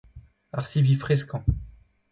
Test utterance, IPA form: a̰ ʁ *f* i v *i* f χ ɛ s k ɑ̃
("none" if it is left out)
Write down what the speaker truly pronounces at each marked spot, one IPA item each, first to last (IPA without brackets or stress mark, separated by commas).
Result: s, i